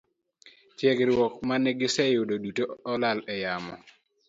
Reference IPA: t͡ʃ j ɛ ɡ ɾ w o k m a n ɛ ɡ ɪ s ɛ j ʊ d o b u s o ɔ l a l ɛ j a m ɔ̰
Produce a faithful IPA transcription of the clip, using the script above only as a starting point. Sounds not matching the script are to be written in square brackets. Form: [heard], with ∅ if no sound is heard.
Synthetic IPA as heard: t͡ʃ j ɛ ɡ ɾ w [ɔ] k m a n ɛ ɡ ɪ s ɛ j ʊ d o [d] u [t] o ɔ l a l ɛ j a m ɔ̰